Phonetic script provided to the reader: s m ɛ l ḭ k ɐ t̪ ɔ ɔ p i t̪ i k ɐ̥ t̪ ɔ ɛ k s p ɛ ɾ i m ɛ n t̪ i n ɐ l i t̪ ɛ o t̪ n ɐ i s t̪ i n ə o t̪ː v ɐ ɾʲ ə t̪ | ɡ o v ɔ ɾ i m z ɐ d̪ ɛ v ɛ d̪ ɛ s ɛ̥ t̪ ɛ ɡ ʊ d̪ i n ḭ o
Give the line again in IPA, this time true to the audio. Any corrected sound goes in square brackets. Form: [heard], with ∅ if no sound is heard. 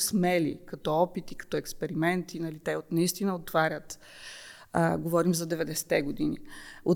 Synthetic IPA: s m ɛ l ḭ k ɐ t̪ ɔ ɔ p i t̪ i k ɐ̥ t̪ ɔ ɛ k s p ɛ ɾ i m ɛ n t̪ i n ɐ l i t̪ ɛ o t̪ n ɐ i s t̪ i n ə o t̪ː v [a] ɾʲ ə t̪ | ɡ o v ɔ ɾ i m z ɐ d̪ ɛ v ɛ d̪ ɛ s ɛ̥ t̪ ɛ ɡ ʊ d̪ i n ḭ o